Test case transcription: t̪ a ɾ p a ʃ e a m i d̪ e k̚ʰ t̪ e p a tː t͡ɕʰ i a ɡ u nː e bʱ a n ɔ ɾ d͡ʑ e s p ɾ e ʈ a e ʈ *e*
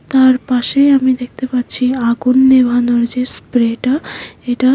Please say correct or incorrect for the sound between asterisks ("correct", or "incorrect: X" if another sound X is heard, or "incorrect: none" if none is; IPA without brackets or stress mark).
incorrect: a